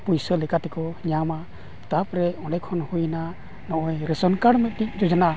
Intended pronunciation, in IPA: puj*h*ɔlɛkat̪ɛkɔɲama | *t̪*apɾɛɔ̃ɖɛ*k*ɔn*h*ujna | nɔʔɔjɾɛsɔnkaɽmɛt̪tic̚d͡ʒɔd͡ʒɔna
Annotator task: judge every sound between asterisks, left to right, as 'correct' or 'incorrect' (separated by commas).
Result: incorrect, correct, incorrect, correct